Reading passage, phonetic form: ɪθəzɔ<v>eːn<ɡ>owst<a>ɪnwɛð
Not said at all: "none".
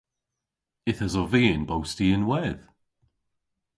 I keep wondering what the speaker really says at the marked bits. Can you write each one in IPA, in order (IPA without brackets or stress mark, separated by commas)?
v, b, i